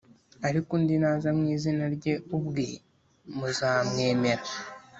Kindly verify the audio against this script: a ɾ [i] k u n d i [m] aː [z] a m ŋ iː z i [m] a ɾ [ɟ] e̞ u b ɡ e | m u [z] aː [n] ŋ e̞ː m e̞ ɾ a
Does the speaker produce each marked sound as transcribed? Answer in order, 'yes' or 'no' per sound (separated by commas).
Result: yes, no, yes, no, yes, yes, no